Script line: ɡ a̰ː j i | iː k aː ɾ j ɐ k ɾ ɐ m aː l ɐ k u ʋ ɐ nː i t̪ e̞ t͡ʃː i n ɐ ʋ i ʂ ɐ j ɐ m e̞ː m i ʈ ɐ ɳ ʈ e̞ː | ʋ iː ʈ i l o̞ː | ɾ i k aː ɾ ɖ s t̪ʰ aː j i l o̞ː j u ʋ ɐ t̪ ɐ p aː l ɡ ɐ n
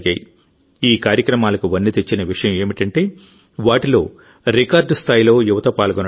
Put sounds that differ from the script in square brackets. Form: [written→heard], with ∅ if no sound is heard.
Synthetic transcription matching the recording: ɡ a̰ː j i | iː k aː ɾ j ɐ k ɾ ɐ m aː l ɐ k u ʋ ɐ nː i t̪ e̞ t͡ʃː i n ɐ ʋ i ʂ ɐ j ɐ m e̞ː m i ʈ ɐ ɳ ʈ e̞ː | ʋ [iː→aː] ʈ i l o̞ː | ɾ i k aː ɾ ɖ s t̪ʰ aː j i l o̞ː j u ʋ ɐ t̪ ɐ p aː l ɡ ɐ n